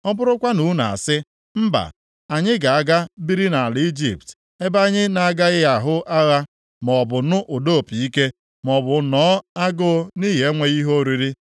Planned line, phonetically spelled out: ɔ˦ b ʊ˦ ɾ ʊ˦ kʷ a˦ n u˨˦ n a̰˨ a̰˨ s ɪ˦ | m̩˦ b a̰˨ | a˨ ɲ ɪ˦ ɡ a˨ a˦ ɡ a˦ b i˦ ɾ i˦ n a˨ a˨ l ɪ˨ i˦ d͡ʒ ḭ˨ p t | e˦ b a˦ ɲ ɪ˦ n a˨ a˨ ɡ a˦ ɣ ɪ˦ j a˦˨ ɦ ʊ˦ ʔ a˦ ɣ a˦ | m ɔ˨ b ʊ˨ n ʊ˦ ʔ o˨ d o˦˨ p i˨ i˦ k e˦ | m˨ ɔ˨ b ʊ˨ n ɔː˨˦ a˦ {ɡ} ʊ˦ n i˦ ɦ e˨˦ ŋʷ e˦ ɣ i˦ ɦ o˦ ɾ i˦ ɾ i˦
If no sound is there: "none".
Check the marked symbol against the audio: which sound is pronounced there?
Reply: ɡ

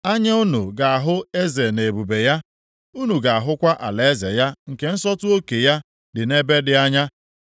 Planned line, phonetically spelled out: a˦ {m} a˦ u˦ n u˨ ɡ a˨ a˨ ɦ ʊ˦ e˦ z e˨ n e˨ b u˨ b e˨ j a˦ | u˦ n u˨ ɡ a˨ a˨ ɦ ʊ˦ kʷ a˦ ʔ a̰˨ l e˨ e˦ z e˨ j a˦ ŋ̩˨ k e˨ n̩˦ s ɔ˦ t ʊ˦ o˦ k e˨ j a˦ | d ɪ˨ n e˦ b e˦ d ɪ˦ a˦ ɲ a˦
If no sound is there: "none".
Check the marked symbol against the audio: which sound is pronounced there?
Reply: ɲ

